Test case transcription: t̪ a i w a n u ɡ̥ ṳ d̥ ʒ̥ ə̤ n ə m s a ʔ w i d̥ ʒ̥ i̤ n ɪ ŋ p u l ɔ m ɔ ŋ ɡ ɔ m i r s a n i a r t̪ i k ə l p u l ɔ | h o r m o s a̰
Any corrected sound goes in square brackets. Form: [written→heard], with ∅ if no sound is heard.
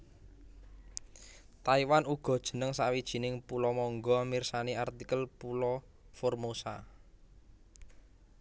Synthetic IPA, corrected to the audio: t̪ a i w a n u ɡ̥ [ṳ→ɔ̤] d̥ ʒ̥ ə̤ n ə [m→ŋ] s a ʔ w i d̥ ʒ̥ i̤ n ɪ ŋ p u l ɔ m ɔ ŋ ɡ ɔ m i r s a n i a r t̪ i k ə l p u l ɔ | [h→f] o r m o s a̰